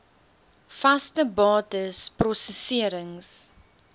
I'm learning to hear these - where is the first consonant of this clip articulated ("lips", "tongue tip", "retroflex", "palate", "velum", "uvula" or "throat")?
lips